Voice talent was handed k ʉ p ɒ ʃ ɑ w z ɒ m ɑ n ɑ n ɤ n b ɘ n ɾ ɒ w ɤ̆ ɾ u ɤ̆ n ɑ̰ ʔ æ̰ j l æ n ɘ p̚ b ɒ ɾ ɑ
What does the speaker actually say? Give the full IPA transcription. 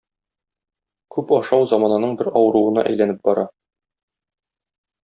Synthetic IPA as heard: k ʉ p ɒ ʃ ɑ w z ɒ m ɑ n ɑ n ɤ ɴ b ɘ ɾ ɒ w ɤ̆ ɾ u ɤ̆ n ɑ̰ ʔ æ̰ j l æ n ɘ p̚ b ɒ ɾ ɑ